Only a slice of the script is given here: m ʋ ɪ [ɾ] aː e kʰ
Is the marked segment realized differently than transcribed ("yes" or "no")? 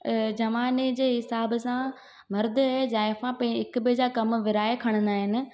no